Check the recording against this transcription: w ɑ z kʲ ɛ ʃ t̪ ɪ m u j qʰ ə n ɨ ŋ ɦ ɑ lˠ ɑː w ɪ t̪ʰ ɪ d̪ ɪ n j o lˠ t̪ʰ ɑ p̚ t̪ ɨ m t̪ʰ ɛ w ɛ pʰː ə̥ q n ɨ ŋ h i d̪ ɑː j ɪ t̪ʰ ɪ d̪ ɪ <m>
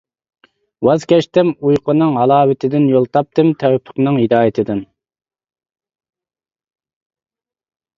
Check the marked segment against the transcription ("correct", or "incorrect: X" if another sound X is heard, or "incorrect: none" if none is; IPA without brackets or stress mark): incorrect: n